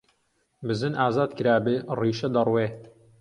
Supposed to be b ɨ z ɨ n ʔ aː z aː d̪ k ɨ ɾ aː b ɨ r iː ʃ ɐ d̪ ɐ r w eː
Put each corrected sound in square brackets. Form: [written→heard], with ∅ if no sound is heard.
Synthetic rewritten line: b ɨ z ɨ n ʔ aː z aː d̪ k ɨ ɾ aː b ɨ r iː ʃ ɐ d̪ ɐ r w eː